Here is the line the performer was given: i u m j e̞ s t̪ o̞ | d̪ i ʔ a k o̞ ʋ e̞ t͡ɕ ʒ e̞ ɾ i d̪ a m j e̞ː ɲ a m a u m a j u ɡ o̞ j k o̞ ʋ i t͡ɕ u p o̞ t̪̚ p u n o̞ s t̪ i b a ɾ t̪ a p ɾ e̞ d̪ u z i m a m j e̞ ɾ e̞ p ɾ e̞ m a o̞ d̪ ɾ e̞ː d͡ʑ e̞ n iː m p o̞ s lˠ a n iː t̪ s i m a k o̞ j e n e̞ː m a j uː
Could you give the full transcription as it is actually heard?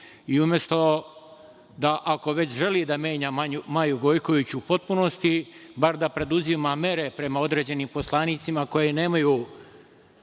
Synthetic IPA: i u m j e̞ s t̪ o̞ | d̪ a ʔ a k o̞ ʋ e̞ t͡ɕ ʒ e̞ l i d̪ a m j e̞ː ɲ a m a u m a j u ɡ o̞ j k o̞ ʋ i t͡ɕ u p o̞ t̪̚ p u n o̞ s t̪ i b a ɾ d̪ a p ɾ e̞ d̪ u z i m a m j e̞ ɾ e̞ p ɾ e̞ m a o̞ d̪ ɾ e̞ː d͡ʑ e̞ n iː m p o̞ s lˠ a n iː t̪ s i m a k o̞ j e n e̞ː m a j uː